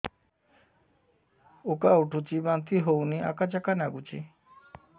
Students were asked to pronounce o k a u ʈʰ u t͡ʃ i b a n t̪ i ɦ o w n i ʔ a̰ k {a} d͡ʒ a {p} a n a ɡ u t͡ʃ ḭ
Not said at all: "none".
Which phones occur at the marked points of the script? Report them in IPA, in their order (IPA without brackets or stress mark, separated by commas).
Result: a, k